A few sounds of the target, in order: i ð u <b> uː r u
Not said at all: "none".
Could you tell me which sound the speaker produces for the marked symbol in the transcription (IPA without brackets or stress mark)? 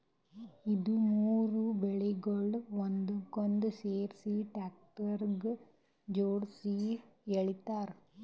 m